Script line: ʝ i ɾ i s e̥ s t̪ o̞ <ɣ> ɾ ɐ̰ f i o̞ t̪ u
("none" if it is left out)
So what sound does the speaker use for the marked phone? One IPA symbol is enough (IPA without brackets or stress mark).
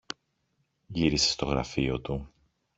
ɣ